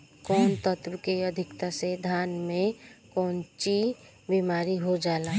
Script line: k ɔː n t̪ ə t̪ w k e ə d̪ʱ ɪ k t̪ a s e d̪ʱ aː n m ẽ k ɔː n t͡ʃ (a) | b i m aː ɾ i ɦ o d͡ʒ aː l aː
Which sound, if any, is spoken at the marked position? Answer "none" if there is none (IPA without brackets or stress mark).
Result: i